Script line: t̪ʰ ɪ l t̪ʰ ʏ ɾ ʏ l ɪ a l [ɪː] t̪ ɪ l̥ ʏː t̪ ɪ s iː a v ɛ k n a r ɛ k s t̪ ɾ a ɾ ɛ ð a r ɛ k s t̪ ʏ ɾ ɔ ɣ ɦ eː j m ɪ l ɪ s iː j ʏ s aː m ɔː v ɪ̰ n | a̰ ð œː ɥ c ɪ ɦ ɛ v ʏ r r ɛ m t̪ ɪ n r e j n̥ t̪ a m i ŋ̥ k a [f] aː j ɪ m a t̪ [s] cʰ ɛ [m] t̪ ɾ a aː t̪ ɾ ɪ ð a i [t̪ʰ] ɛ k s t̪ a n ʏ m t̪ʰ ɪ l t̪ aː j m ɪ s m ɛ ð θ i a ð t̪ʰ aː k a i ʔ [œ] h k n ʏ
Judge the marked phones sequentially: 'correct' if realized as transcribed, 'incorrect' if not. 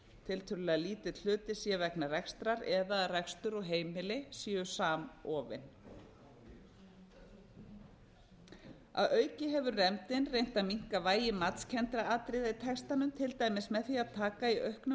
incorrect, incorrect, correct, incorrect, correct, correct

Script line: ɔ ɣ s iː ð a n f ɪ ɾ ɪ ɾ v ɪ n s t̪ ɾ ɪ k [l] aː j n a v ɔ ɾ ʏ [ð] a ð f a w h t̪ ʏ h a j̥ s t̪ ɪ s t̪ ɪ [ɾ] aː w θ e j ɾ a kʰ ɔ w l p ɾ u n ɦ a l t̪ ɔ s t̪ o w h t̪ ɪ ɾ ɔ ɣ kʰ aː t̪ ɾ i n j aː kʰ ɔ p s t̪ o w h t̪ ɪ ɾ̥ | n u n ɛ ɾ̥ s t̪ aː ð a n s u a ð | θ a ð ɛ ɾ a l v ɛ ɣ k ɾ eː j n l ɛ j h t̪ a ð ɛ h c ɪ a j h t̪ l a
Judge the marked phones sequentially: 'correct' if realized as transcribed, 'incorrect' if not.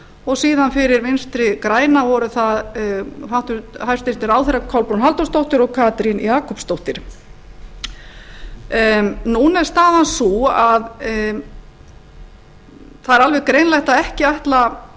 incorrect, incorrect, correct

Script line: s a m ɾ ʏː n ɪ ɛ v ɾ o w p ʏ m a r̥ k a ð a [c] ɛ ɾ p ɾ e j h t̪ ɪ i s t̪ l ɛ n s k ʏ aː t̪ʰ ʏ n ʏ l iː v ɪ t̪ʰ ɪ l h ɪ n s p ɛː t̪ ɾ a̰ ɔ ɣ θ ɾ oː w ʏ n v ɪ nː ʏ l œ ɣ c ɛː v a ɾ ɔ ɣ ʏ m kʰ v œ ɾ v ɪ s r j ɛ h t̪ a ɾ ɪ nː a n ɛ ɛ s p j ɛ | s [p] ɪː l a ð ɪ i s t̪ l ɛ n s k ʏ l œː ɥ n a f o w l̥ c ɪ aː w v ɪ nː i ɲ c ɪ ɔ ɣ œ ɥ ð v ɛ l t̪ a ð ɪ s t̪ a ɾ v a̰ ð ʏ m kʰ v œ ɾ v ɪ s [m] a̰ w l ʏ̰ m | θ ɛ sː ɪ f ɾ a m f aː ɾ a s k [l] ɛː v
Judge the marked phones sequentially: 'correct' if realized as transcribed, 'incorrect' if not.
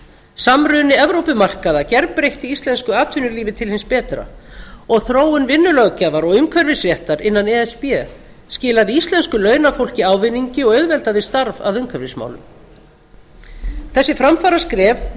correct, incorrect, correct, incorrect

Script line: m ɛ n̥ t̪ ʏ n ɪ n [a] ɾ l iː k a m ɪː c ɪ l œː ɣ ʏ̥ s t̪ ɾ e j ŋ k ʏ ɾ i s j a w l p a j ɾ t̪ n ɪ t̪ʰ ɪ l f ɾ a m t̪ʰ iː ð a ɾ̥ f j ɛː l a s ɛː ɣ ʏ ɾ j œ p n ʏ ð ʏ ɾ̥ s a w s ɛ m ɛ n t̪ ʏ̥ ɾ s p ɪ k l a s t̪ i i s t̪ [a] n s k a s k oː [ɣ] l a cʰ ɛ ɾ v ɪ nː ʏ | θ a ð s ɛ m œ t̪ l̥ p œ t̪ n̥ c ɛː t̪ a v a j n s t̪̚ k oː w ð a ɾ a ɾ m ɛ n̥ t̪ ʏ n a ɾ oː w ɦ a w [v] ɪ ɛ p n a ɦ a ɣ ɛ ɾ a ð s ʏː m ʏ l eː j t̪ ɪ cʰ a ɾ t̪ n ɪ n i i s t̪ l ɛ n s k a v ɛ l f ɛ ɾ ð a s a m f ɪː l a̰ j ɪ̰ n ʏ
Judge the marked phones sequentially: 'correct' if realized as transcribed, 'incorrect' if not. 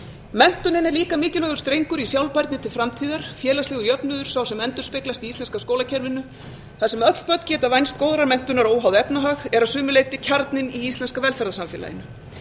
incorrect, incorrect, incorrect, incorrect

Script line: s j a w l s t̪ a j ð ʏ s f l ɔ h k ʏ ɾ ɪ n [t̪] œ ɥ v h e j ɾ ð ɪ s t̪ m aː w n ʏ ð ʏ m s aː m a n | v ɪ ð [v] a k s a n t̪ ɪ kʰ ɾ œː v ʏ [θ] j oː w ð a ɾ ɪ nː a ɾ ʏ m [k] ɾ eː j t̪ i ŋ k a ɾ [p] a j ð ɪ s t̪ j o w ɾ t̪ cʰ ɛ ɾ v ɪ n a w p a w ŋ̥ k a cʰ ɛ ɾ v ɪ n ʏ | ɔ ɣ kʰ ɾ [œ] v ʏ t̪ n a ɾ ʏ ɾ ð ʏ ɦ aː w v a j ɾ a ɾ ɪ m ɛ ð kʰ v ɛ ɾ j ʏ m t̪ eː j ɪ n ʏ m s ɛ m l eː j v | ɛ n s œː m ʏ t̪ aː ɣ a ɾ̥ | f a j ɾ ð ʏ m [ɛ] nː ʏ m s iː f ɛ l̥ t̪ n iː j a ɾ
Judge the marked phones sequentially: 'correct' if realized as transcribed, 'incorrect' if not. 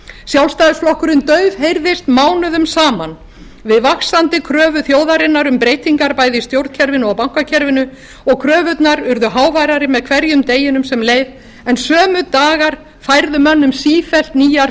correct, correct, correct, incorrect, correct, incorrect, incorrect

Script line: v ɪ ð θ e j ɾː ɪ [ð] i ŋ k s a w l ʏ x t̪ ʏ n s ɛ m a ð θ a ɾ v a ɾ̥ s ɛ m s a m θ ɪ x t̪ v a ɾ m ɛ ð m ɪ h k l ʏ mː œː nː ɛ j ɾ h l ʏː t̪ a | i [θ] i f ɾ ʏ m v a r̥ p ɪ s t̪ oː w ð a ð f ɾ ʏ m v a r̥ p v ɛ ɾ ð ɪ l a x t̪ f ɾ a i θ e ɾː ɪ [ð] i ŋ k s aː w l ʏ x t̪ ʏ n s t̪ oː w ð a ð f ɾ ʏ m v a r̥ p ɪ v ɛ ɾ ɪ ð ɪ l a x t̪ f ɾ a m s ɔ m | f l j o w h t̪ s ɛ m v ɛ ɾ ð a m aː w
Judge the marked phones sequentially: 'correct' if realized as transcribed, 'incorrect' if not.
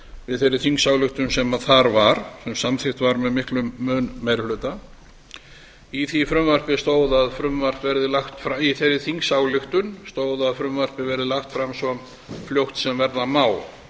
incorrect, correct, incorrect

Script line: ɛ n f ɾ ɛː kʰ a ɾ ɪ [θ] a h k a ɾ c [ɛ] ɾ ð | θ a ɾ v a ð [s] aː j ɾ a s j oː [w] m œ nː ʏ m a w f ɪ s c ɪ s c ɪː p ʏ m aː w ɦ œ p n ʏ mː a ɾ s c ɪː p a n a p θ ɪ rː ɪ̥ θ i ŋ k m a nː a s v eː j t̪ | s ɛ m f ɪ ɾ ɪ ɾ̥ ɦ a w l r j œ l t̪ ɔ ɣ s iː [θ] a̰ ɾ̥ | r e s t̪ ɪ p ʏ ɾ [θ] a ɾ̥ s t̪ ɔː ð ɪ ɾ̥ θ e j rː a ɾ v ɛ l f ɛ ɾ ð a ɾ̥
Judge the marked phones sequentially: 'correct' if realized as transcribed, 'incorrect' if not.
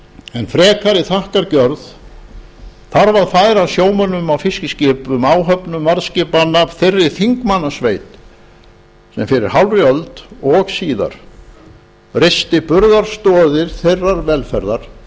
correct, incorrect, incorrect, correct, incorrect, incorrect

